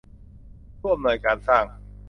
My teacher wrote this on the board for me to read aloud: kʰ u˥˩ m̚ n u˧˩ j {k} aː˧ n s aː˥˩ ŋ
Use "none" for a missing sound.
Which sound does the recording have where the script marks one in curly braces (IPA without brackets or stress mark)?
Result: k